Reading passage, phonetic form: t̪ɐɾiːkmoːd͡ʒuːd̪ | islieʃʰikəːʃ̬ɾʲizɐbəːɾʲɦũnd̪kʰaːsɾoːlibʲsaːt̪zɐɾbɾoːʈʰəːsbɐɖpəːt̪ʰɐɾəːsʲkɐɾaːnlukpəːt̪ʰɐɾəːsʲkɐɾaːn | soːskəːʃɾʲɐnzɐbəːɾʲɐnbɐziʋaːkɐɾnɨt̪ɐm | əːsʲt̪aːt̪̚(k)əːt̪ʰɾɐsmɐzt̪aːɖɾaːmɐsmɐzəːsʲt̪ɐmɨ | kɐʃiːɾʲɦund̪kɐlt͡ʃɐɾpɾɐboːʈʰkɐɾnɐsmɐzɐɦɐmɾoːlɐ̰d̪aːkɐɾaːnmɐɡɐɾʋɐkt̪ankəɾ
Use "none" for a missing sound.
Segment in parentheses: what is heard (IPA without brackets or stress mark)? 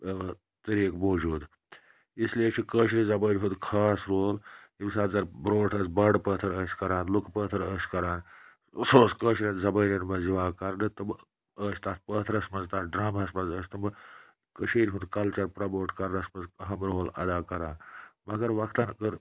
p